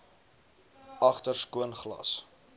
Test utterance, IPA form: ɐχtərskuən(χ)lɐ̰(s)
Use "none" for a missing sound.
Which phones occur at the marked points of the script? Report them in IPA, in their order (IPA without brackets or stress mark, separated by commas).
χ, s